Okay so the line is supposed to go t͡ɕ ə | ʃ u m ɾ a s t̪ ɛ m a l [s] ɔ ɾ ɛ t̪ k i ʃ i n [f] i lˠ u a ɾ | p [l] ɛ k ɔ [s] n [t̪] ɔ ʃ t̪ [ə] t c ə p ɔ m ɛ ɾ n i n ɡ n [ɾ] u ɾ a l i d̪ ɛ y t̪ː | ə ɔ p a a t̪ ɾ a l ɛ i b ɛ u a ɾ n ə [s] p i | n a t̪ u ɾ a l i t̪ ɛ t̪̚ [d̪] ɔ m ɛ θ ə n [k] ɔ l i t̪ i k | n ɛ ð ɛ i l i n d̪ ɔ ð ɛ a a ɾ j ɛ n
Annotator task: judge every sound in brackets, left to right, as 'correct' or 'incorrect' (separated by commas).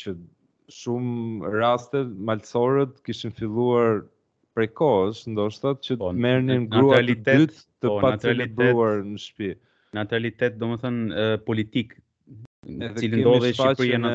correct, correct, incorrect, correct, incorrect, incorrect, correct, incorrect, correct, incorrect